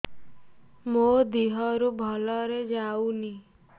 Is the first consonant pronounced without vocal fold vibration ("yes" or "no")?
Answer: no